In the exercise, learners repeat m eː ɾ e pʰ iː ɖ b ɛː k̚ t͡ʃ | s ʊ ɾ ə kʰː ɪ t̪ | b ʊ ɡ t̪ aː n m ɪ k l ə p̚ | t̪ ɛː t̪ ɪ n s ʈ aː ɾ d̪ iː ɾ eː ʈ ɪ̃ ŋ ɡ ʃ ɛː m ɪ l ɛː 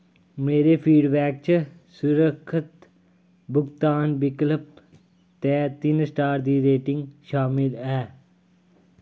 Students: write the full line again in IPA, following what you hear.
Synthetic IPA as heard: m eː ɾ e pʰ iː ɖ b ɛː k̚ t͡ʃ | s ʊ ɾ ə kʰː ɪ t̪ | b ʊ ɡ t̪ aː n b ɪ k l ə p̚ | t̪ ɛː t̪ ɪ n s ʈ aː ɾ d̪ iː ɾ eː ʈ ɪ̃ ŋ ɡ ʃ aː m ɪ l ɛː